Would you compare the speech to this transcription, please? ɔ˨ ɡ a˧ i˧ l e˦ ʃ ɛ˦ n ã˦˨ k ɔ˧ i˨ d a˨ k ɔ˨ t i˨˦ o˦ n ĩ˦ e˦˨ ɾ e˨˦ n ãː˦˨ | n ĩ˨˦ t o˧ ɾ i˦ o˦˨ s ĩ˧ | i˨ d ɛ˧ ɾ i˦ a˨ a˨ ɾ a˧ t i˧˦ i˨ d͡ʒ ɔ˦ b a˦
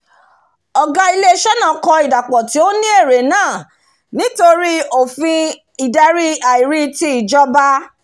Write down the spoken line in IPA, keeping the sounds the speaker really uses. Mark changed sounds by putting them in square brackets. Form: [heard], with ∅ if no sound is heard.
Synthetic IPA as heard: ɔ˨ ɡ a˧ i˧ l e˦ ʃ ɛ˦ n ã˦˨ k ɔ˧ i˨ d a˨ [k͡p] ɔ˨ t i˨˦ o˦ n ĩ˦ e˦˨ ɾ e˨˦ n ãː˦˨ | n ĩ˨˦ t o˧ ɾ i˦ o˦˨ [f] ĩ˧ | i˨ d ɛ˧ ɾ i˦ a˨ [i˨] ɾ [i˧] t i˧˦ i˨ d͡ʒ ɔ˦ b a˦